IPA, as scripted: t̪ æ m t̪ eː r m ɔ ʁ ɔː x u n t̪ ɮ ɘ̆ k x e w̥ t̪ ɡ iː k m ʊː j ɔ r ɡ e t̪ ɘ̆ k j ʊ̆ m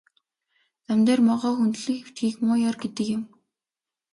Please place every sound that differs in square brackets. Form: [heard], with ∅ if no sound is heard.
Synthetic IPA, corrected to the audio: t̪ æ m t̪ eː r m ɔ ʁ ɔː x u n t̪ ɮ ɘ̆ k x e w̥ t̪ ɡ iː k m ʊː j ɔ r ɡ e t̪ ɘ̆ k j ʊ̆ m